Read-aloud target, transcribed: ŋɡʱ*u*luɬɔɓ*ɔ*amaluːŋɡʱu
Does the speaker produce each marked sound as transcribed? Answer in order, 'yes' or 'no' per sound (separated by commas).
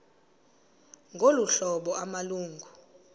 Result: no, yes